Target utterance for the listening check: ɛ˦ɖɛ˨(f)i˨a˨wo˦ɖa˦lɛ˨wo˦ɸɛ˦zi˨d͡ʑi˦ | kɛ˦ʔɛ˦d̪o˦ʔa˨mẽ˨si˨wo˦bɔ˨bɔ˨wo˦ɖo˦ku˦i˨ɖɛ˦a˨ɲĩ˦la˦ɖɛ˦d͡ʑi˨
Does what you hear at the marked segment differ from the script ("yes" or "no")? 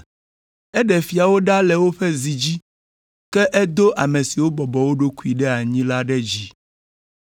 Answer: no